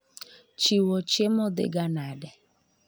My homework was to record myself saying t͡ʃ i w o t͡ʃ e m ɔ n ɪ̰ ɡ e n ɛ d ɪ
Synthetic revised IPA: t͡ʃ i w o t͡ʃ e m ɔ d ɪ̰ ɡ a n a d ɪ